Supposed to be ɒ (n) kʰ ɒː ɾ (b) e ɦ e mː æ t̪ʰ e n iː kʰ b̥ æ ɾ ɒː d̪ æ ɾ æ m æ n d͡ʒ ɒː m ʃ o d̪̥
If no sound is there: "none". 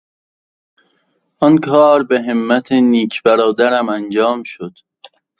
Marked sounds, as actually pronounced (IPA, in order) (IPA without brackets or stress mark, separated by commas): n, b